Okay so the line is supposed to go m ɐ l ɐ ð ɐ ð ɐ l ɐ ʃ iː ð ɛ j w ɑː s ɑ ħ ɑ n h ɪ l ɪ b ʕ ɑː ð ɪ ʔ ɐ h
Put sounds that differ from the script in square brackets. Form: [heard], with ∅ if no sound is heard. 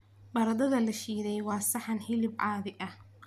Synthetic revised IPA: [b] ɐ [ɾ] ɐ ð ɐ ð ɐ l ɐ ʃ iː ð ɛ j w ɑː s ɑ ħ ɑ n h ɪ l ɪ b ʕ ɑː ð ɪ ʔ ɐ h